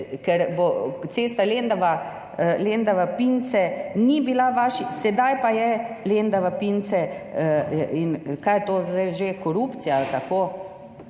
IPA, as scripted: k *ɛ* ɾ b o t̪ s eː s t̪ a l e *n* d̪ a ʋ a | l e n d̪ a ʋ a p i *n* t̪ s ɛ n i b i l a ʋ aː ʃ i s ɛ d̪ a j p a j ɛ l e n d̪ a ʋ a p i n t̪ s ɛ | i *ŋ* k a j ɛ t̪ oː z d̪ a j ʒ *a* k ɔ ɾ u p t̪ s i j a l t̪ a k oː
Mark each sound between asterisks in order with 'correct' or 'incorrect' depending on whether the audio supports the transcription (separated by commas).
correct, correct, correct, incorrect, incorrect